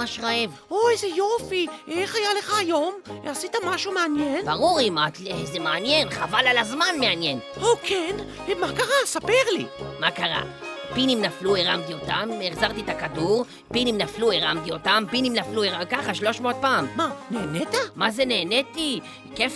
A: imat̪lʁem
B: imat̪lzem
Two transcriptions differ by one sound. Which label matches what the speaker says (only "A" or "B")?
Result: B